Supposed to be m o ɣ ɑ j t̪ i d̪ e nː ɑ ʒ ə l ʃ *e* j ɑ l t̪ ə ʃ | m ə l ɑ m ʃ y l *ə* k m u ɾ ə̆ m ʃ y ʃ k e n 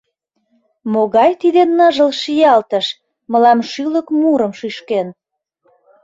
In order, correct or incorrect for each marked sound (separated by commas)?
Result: incorrect, correct